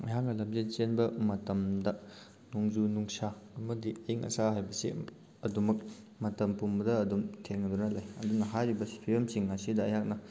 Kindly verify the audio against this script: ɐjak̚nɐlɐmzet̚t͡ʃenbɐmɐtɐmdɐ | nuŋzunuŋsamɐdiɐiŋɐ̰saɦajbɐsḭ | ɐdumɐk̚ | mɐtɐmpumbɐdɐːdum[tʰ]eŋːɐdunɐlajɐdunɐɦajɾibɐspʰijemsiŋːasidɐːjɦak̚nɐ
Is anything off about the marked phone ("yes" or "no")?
no